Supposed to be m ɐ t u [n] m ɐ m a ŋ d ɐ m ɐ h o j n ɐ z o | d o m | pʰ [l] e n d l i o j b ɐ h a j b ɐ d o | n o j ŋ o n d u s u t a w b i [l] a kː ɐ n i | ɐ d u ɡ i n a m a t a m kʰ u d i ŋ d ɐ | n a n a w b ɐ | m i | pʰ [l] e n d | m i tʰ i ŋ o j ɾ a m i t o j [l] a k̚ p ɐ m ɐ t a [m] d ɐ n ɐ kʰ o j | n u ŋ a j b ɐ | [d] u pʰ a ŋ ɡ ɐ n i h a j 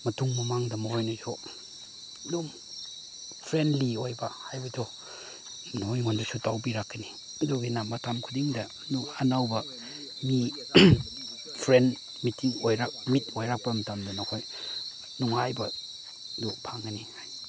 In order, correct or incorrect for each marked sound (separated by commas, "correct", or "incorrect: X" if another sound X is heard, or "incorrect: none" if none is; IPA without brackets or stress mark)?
incorrect: ŋ, incorrect: ɾ, incorrect: ɾ, incorrect: ɾ, incorrect: ɾ, correct, correct